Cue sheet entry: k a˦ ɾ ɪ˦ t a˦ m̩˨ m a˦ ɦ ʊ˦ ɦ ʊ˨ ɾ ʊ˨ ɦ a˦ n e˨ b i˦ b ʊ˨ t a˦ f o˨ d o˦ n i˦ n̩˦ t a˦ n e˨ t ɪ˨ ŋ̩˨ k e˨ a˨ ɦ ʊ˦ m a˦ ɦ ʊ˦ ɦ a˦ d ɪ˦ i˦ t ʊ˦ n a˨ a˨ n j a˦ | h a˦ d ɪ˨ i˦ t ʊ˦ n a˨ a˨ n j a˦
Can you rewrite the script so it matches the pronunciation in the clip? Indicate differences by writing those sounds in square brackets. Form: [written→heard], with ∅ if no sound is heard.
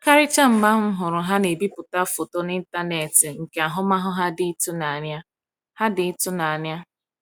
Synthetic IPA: k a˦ ɾ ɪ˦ [t→t͡ʃ] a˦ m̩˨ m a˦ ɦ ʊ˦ ɦ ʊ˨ ɾ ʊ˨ ɦ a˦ n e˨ b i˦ [b→p] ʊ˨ t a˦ f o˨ [d→t] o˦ n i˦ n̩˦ t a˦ n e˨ t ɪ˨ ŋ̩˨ k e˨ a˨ ɦ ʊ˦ m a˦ ɦ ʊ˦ ɦ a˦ d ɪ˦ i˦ t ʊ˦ n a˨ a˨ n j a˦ | h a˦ d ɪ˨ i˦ t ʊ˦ n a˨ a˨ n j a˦